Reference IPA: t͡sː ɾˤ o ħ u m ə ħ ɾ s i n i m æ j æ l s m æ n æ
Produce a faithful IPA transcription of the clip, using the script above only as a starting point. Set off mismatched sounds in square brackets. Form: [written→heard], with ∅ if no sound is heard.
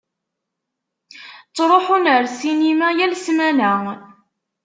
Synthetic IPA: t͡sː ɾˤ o ħ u [m→n] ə [ħ→∅] ɾ s i n i m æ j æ l s m æ n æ

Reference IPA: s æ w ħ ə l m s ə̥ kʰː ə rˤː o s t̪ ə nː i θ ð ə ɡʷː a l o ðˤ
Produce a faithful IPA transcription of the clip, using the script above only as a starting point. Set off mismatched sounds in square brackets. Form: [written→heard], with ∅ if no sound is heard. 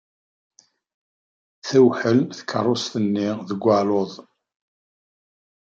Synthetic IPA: [s→θ] æ w ħ ə l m [s→θ] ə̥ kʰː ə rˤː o s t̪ ə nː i [θ→∅] ð ə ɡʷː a l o ðˤ

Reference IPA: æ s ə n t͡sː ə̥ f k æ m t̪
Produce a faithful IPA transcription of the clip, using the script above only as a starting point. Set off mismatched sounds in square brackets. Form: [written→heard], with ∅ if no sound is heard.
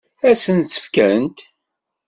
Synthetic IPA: æ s ə n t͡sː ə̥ f k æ [m→n] t̪

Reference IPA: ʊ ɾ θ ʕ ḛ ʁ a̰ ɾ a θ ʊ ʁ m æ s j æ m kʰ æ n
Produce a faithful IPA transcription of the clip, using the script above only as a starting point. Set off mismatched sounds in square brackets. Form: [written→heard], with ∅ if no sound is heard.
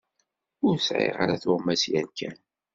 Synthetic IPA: ʊ ɾ [θ→s] ʕ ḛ ʁ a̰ ɾ a θ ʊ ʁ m æ s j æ [m→n] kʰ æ n

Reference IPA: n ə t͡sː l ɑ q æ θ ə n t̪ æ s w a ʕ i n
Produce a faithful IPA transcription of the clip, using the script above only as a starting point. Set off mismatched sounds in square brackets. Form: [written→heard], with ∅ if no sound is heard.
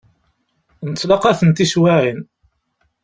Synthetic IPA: n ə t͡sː l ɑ q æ θ ə n t̪ [æ→i] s w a ʕ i n

